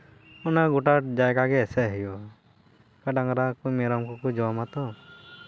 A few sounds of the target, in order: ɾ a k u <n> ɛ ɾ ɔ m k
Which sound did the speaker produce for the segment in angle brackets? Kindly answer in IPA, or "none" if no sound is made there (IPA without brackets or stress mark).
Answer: m